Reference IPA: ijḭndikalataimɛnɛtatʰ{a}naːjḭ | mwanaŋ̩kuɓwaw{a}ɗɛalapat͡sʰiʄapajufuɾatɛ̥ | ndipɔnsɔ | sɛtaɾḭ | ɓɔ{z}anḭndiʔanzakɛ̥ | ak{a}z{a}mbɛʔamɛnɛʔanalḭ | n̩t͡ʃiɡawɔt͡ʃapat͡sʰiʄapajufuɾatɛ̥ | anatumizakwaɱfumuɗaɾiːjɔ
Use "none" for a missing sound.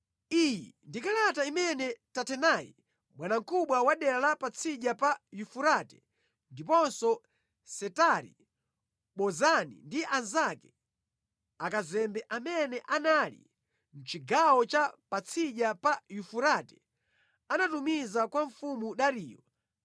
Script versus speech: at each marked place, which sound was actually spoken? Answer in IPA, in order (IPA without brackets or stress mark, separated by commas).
ɛ, a, z, a, ɛ